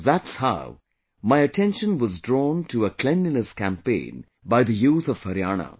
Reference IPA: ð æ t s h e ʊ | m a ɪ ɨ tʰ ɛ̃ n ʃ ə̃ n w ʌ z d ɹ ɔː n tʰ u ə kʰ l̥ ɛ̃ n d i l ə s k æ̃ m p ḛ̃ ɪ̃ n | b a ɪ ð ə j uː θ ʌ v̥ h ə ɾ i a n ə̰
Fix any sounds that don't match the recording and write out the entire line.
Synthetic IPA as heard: ð æ t s h a ʊ | m a ɪ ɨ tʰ ɛ̃ n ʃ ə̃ n w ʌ z d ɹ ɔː n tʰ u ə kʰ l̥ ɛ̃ n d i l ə s k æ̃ m p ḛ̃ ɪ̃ n | b a ɪ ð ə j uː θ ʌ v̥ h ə ɾ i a n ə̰